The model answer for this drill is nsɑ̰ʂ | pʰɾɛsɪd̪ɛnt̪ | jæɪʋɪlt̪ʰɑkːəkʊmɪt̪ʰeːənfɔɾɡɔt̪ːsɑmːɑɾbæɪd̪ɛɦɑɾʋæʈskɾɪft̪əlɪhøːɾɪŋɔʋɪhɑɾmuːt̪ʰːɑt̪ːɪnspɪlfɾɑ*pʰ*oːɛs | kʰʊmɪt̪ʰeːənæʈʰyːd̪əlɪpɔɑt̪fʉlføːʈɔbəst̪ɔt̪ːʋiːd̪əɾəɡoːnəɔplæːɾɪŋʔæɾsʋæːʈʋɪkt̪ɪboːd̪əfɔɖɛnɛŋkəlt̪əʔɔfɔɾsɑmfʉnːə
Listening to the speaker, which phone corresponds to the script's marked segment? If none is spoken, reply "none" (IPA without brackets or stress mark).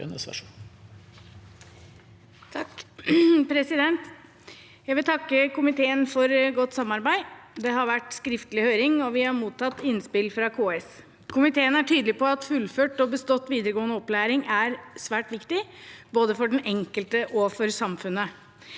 kʰ